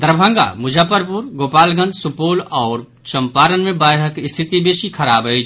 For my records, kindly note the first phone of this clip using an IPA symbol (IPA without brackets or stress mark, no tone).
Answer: d̪